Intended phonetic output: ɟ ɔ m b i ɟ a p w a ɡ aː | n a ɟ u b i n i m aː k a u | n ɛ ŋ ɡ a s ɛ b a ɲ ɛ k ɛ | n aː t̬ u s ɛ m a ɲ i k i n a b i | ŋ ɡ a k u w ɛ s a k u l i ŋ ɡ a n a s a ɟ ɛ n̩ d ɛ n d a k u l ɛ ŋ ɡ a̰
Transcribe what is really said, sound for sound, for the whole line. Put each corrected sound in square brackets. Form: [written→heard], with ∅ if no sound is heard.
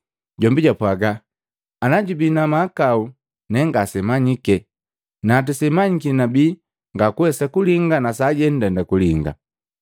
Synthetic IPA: ɟ ɔ m b i ɟ a p w a ɡ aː | n a ɟ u b i n [i→a] m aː k a u | n ɛ ŋ ɡ a s ɛ [b→m] a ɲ [ɛ→i] k ɛ | n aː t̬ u s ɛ m a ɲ i k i n a b i | ŋ ɡ a k u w ɛ s a k u l i ŋ ɡ a n a s a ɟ ɛ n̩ d ɛ n d a k u l [ɛ→i] ŋ ɡ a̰